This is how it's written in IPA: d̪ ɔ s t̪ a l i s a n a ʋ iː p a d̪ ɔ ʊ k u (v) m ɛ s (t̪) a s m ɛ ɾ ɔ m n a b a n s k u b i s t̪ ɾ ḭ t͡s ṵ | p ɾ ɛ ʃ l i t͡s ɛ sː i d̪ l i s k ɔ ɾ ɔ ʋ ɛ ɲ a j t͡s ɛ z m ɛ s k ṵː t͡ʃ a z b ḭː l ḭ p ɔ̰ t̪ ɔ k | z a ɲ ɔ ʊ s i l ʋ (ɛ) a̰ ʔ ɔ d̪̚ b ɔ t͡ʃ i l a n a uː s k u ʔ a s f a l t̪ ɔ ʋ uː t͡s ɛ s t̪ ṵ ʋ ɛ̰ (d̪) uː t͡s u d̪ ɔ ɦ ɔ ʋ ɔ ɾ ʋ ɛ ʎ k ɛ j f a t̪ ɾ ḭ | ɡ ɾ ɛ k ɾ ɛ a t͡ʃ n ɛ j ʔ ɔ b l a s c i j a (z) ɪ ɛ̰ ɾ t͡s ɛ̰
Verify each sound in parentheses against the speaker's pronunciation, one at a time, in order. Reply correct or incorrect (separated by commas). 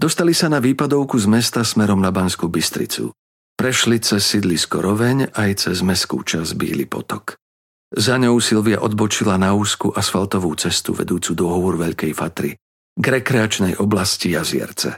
incorrect, correct, incorrect, correct, correct